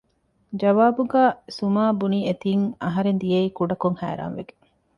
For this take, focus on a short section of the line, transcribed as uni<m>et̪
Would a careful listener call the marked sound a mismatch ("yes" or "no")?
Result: yes